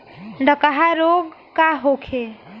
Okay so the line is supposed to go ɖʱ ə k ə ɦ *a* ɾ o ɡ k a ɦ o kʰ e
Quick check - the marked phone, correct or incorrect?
correct